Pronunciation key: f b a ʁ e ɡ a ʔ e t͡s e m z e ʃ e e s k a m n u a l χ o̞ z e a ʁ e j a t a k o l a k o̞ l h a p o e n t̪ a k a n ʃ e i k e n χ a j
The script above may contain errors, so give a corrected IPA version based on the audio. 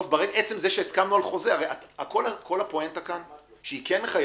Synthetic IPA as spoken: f b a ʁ e ɡ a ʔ e t͡s e m z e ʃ e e s k a m n u a l χ o̞ z e a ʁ e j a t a k o l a k o̞ l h a p o e n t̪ a k a n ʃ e i k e n χ a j